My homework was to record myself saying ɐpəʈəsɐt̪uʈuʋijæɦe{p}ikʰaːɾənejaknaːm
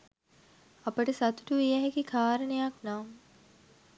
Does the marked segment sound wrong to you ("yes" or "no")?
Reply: yes